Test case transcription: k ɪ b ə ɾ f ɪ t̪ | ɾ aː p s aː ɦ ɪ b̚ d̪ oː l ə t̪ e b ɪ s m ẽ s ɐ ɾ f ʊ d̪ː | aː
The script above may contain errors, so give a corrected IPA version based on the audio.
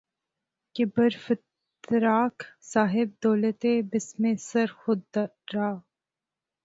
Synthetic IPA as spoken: k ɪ b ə ɾ f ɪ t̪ | ɾ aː k s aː ɦ ɪ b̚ d̪ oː l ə t̪ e b ɪ s m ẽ s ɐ ɾ x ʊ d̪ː | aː

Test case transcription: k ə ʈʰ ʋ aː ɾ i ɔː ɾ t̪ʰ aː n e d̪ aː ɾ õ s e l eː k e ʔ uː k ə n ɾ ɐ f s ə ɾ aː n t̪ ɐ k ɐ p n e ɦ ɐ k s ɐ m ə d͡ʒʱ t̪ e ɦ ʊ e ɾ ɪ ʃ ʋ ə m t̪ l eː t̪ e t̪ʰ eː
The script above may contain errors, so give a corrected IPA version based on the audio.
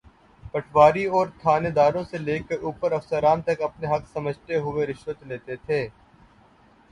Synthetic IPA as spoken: p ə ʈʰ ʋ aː ɾ i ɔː ɾ t̪ʰ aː n e d̪ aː ɾ õ s e l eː k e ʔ uː p ə ɾ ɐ f s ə ɾ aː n t̪ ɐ k ɐ p n e ɦ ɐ k s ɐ m ə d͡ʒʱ t̪ e ɦ ʊ e ɾ ɪ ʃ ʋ ə t̪ l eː t̪ e t̪ʰ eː

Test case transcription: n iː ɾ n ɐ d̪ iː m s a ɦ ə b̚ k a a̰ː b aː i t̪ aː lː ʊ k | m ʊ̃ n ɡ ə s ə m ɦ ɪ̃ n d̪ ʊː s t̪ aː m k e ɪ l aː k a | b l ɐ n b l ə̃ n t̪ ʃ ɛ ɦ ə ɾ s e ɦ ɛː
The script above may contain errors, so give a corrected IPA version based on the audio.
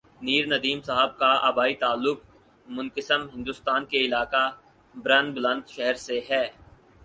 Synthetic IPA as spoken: n iː ɾ n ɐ d̪ iː m s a ɦ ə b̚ k a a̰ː b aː i t̪ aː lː ʊ k | m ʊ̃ n k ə s ə m ɦ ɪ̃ n d̪ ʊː s t̪ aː n k e ɪ l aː k a | b ɾ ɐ n b l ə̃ n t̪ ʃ ɛ ɦ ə ɾ s e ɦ ɛː

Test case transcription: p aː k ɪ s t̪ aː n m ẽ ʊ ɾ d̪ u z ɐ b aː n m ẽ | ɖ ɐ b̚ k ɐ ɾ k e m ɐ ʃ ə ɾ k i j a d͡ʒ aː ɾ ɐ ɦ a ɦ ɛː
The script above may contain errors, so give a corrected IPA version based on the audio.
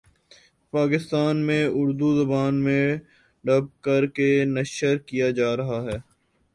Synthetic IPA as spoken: p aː k ɪ s t̪ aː n m ẽ ʊ ɾ d̪ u z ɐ b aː n m ẽ | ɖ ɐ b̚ k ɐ ɾ k e n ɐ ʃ ə ɾ k i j a d͡ʒ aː ɾ ɐ ɦ a ɦ ɛː

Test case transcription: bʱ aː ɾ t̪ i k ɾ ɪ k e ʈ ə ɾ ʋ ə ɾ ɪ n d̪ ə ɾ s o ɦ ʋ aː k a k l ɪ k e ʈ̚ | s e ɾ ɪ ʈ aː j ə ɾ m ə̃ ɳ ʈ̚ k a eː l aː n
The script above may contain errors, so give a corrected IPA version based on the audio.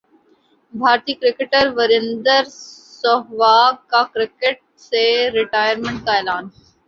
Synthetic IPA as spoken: bʱ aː ɾ t̪ iː k ɾ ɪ k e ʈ ə ɾ ʋ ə ɾ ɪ n d̪ ə ɾ s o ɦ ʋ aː k a k ɾ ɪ k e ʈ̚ | s e ɾ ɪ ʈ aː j ə ɾ m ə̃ ɳ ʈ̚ k a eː l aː n

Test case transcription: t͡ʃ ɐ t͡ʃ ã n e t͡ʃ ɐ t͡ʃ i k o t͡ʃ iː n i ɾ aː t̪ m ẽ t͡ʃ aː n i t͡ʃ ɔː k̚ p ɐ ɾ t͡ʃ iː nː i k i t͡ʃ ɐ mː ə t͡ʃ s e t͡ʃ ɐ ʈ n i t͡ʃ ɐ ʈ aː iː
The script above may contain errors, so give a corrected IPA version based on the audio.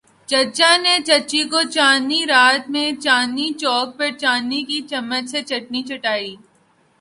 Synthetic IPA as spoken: t͡ʃ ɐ t͡ʃ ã n e t͡ʃ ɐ t͡ʃ i k o t͡ʃ aː n i ɾ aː t̪ m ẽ t͡ʃ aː n i t͡ʃ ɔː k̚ p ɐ ɾ t͡ʃ aː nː i k i t͡ʃ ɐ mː ə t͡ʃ s e t͡ʃ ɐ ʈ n i t͡ʃ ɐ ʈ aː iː

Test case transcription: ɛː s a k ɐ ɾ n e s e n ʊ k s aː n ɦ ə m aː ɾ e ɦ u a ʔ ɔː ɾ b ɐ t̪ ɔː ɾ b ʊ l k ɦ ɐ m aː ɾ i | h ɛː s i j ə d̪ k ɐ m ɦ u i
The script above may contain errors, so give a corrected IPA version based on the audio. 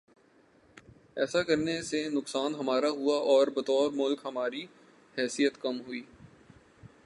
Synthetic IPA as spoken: ɛː s a k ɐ ɾ n e s e n ʊ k s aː n ɦ ɐ m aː ɾ a ɦ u a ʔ ɔː ɾ b ɐ t̪ ɔː ɾ m ʊ l k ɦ ɐ m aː ɾ i | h ɛː s i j ə t̪ k ɐ m ɦ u iː

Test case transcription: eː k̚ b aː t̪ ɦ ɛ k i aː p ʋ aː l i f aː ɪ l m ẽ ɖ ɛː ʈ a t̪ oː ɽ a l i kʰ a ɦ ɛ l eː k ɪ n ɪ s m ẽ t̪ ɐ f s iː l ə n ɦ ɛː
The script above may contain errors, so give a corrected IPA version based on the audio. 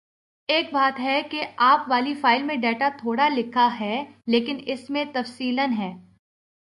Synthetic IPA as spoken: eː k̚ b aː t̪ ɦ ɛ k e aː p ʋ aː l i f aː ɪ l m ẽ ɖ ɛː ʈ a t̪ʰ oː ɽ a l ɪ kʰ a ɦ ɛ l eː k ɪ n ɪ s m ẽ t̪ ɐ f s iː l ə n ɦ ɛː

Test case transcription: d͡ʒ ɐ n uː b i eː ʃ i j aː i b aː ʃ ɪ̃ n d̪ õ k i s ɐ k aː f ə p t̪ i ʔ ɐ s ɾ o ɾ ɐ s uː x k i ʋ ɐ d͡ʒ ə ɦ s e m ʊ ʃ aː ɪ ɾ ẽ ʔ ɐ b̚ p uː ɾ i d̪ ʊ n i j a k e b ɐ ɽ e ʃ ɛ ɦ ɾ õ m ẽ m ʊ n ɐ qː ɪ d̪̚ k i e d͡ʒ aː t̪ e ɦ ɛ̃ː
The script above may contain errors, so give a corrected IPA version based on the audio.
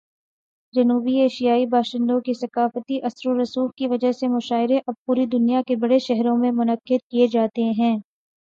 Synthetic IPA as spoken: d͡ʒ ɐ n uː b i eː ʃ i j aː i b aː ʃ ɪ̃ n d̪ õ k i s ɐ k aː f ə t̪ i ʔ ɐ s ɾ o ɾ ɐ s uː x k i ʋ ɐ d͡ʒ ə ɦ s e m ʊ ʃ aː ɪ ɾ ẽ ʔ ɐ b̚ p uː ɾ i d̪ ʊ n i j a k e b ɐ ɽ e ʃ ɛ ɦ ɾ õ m ẽ m ʊ n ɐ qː ɪ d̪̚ k i e d͡ʒ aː t̪ e ɦ ɛ̃ː

